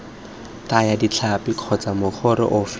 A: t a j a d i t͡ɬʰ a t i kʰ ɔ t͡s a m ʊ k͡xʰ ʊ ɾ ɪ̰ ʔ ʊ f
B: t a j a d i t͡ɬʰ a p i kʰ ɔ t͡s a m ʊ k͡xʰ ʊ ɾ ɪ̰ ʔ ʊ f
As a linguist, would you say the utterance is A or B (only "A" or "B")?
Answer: B